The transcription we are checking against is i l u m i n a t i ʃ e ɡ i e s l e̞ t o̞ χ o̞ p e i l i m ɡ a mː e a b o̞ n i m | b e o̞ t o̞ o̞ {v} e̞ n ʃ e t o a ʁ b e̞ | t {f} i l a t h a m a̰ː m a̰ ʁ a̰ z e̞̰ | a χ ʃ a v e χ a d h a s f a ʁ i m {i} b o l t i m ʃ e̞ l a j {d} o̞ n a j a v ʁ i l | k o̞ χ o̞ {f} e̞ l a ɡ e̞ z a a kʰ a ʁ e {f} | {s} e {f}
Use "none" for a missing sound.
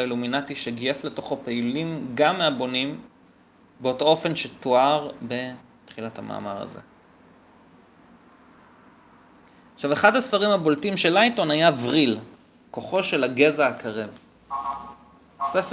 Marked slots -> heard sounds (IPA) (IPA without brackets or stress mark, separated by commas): f, χ, a, t, ʃ, v, s, f